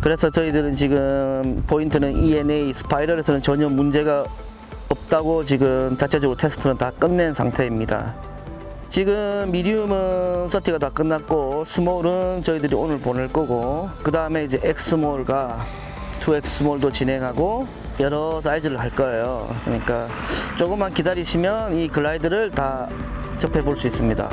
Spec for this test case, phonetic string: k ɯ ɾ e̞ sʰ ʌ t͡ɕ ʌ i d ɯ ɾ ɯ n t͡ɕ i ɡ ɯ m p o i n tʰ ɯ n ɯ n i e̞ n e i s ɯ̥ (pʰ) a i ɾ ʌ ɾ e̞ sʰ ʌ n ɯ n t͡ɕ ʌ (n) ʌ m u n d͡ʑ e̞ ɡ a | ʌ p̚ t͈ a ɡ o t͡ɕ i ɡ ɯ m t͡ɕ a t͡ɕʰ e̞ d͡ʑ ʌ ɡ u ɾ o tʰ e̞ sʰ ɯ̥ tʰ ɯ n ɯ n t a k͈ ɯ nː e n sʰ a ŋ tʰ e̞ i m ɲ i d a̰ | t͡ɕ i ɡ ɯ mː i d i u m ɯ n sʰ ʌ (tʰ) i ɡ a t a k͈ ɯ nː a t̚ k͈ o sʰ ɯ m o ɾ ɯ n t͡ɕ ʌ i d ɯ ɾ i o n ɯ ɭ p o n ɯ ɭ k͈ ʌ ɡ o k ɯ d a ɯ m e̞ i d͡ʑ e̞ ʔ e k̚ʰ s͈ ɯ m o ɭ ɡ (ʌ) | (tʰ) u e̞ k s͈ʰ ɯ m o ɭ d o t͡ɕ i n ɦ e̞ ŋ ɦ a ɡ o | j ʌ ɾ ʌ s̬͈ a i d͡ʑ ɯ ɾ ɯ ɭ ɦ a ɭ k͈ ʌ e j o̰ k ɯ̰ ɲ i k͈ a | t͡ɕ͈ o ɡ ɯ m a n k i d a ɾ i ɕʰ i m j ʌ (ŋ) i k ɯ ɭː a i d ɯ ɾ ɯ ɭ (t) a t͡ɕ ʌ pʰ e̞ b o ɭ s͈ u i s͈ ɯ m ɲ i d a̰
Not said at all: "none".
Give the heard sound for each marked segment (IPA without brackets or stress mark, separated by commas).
pʰ, ɲ, tʰ, a, tʰ, n, t